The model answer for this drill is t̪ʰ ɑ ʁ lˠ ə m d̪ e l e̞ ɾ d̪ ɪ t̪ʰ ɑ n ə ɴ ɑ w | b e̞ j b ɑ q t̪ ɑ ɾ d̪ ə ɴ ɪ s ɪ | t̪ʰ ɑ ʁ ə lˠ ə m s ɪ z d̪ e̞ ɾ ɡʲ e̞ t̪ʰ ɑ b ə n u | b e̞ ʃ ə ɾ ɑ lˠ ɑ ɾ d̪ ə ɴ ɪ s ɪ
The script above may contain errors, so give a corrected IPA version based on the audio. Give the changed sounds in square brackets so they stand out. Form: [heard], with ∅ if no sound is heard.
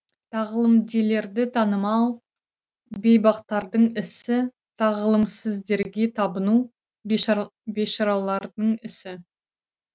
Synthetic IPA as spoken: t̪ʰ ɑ ʁ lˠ ə m d̪ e l e̞ ɾ d̪ ɪ t̪ʰ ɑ n ə [m] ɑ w | b e̞ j b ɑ q t̪ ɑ ɾ d̪ ə ɴ ɪ s ɪ | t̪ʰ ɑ ʁ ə lˠ ə m s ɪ z d̪ e̞ ɾ ɡʲ e̞ t̪ʰ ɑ b ə n u | b e̞ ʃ [ɑ] ɾ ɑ lˠ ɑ ɾ d̪ ə ɴ ɪ s ɪ